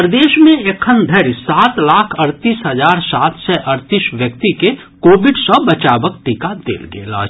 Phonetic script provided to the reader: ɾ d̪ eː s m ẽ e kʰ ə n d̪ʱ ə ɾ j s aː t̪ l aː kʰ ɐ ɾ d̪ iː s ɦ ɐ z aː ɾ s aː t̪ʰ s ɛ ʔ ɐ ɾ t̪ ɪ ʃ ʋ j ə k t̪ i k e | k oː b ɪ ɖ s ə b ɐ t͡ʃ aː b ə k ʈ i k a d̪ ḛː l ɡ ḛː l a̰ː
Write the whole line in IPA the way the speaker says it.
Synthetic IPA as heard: ɾ d̪ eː ʃ m ẽ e kʰ ə n d̪ʱ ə ɾ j s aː t̪ l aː kʰ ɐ ɾ t̪ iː s ɦ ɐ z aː ɾ s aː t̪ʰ s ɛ ʔ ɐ ɾ t̪ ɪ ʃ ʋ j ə k t̪ i k e | k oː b ɪ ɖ s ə b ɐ t͡ʃ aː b ə k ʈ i k a d̪ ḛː l ɡ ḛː l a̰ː